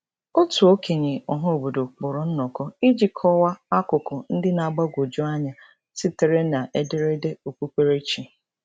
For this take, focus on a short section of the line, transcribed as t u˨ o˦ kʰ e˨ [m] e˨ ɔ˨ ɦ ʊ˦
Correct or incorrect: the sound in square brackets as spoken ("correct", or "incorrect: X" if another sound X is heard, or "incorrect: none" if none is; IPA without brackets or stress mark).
incorrect: ɲ